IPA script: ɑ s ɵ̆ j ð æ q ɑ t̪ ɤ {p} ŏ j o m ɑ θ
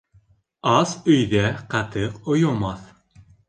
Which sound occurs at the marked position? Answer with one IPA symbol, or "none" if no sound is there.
q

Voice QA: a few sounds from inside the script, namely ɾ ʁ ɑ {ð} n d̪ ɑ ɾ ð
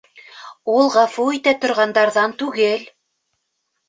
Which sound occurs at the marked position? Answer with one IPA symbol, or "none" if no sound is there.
none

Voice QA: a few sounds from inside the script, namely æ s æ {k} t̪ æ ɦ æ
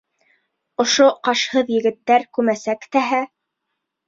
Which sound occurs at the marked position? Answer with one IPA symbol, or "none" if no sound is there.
k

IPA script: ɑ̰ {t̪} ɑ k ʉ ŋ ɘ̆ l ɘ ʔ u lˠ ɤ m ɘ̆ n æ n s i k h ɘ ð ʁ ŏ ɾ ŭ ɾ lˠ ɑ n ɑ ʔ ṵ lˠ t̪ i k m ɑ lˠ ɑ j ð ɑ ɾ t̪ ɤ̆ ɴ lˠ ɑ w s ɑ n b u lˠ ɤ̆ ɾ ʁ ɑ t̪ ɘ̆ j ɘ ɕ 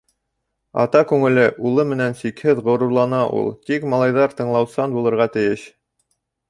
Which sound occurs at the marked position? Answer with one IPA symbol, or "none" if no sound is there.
t̪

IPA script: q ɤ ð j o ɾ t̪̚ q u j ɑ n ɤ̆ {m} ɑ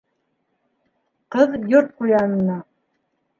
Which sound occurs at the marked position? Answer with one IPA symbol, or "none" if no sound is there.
n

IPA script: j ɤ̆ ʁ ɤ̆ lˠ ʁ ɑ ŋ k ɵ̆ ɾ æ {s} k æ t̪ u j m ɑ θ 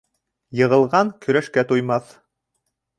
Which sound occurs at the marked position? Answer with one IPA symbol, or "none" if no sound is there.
ʃ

